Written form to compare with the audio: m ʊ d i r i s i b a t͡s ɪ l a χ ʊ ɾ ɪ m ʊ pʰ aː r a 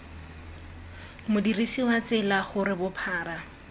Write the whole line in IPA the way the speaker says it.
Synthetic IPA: m ʊ d i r i s i w a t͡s ɪ l a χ ʊ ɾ ɪ b ʊ pʰ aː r a